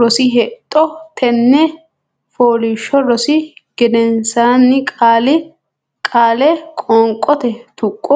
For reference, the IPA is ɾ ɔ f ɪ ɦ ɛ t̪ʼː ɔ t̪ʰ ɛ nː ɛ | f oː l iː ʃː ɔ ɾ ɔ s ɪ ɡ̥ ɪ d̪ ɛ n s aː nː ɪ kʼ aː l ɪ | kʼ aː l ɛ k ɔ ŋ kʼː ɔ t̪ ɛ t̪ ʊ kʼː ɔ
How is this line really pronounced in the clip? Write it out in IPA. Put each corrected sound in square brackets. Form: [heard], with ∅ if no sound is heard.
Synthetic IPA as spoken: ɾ ɔ [s] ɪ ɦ ɛ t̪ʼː ɔ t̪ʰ ɛ nː ɛ | f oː l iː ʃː ɔ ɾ ɔ s ɪ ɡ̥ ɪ d̪ ɛ n s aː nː ɪ kʼ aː l ɪ | kʼ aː l ɛ [kʼ] ɔ ŋ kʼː ɔ t̪ ɛ t̪ ʊ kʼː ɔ